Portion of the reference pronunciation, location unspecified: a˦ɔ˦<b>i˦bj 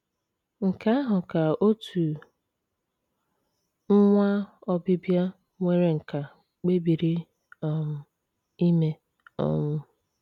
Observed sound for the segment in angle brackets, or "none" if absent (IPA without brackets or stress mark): b